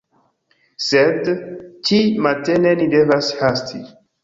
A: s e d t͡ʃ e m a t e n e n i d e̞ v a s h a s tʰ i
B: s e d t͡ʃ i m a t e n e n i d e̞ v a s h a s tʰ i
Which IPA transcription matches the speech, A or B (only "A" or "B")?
B